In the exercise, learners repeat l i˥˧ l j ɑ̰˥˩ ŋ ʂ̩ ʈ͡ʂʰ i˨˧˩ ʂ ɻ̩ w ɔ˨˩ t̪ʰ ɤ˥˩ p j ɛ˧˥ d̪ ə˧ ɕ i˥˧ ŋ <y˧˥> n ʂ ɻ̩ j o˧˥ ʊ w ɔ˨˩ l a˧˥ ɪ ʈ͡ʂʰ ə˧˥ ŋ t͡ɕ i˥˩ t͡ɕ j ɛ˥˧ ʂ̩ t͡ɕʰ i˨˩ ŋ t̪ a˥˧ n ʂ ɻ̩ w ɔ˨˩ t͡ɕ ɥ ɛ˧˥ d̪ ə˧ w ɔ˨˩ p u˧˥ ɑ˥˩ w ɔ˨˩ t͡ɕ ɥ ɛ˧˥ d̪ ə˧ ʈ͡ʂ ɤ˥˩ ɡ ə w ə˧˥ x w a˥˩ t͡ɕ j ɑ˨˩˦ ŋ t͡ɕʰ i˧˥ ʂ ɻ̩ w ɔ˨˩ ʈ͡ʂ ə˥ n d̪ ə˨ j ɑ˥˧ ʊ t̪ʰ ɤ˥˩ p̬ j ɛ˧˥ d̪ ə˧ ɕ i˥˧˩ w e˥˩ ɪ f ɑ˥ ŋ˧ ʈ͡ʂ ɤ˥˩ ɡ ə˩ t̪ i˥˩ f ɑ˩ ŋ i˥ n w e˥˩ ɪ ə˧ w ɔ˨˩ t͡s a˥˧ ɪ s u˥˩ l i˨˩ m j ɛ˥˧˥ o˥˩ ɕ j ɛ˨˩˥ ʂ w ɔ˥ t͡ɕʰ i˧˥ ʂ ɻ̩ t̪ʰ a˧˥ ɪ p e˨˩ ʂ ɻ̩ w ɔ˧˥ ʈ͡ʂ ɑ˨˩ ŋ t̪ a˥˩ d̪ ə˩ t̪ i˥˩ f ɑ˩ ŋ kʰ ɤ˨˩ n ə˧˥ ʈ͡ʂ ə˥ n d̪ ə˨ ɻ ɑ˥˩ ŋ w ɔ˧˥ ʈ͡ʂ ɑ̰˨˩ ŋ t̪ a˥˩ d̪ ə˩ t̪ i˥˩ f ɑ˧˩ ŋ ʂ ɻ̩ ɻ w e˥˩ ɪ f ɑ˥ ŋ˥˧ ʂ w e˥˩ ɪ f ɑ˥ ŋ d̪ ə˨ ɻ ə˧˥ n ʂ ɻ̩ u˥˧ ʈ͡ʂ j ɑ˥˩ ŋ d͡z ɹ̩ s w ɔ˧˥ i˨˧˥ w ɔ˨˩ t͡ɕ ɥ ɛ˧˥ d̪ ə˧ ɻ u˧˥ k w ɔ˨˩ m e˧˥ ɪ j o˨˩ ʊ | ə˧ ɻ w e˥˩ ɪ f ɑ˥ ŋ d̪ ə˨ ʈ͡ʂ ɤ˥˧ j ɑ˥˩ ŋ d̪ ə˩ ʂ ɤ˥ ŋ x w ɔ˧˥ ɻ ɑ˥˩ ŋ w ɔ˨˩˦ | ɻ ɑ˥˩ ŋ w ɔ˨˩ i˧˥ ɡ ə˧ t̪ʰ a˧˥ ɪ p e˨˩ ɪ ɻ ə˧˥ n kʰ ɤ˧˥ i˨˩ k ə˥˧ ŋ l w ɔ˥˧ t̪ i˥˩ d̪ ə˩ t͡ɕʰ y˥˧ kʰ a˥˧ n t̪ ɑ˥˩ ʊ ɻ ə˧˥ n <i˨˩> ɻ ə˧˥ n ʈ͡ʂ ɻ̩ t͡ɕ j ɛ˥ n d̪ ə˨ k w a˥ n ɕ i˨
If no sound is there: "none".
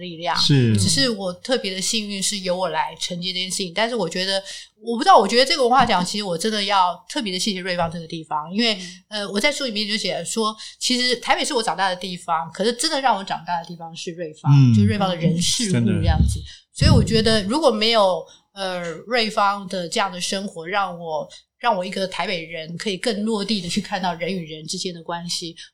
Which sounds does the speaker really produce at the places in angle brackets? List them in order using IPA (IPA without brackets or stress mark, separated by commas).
y˥˧, y˨˩